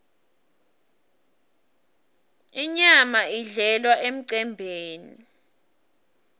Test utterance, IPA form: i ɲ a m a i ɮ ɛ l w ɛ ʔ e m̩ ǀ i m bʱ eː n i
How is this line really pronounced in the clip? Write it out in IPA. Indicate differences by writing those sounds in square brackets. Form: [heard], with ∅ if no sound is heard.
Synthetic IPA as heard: i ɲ a m a i ɮ ɛ l w [a] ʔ e m̩ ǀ [ɛ] m bʱ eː n i